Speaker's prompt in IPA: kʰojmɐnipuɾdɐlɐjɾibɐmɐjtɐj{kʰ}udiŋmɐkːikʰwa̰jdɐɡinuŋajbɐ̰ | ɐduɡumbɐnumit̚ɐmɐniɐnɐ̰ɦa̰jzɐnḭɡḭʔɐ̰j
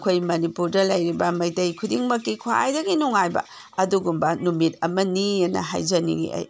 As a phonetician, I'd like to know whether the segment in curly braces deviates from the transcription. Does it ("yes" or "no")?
no